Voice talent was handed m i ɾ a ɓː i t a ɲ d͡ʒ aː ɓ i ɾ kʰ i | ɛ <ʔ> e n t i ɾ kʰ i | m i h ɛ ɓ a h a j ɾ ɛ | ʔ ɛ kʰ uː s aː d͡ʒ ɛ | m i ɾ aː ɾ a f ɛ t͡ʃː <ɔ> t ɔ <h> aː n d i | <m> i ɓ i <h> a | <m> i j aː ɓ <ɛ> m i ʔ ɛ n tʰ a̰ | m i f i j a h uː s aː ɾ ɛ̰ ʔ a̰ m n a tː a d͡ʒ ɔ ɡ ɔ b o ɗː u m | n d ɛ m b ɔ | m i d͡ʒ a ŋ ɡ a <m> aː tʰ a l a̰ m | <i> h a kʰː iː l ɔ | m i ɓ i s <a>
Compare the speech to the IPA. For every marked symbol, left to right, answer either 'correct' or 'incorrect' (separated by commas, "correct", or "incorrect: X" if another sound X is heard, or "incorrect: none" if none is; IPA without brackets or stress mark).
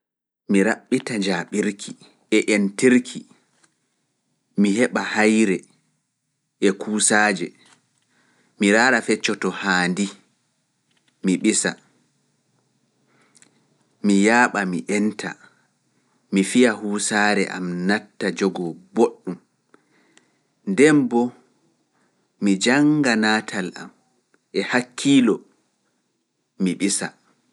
correct, correct, correct, correct, incorrect: s, correct, incorrect: a, incorrect: n, incorrect: ɛ, correct